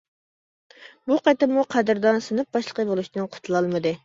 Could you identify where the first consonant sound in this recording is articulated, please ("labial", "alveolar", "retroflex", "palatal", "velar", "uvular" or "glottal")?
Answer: labial